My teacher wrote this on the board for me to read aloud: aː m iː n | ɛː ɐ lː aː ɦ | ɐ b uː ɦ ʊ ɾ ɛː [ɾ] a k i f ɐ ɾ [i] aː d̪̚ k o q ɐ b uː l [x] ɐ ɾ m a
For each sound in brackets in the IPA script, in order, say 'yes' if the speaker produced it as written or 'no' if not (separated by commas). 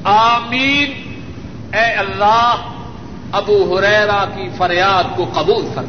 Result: yes, no, no